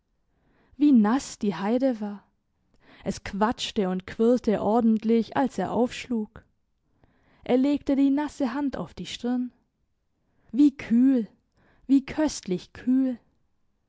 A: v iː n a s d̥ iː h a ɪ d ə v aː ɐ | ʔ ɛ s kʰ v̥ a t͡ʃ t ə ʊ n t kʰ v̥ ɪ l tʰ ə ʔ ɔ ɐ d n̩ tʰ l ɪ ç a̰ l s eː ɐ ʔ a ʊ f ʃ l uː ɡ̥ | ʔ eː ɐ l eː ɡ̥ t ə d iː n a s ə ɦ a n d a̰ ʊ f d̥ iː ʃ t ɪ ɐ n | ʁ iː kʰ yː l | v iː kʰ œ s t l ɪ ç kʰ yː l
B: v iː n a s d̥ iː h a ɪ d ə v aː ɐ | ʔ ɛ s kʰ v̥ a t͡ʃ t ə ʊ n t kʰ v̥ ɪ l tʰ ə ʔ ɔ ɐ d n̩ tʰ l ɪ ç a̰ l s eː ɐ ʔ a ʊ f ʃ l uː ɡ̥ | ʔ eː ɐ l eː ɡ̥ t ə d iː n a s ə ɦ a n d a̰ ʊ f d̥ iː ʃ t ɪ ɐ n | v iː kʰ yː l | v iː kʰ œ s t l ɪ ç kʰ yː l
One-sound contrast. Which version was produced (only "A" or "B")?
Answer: B